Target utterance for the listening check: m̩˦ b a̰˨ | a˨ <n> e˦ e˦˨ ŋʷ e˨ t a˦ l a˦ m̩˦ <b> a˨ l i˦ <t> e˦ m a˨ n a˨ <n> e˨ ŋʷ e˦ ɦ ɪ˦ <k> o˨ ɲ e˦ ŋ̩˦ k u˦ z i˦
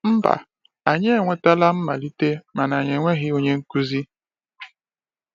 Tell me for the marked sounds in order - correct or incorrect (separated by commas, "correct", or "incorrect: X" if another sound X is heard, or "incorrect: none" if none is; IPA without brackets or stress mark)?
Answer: incorrect: ɲ, incorrect: m, correct, incorrect: ɲ, incorrect: none